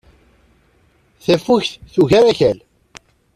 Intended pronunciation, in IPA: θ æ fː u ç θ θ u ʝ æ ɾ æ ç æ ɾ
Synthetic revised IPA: θ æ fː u ç θ θ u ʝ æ ɾ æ ç æ l